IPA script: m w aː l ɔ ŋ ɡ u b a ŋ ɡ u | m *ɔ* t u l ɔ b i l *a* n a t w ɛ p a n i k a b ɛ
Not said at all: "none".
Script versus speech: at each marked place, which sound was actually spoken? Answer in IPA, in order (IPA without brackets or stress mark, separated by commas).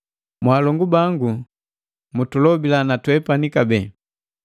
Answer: u, a